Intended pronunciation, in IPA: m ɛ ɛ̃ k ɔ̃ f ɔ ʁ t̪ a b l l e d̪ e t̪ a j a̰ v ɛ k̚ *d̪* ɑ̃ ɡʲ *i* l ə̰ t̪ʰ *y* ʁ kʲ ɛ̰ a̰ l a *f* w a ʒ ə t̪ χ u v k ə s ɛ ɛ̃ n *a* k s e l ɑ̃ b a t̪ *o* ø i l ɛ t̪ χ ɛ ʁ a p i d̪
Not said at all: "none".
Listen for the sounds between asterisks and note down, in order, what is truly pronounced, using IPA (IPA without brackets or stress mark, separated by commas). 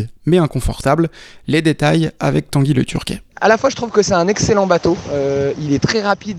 t̪, i, y, f, ɛ, o